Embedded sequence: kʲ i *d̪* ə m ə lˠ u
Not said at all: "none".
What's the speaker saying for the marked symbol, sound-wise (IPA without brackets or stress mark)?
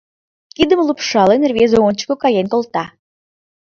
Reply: d̪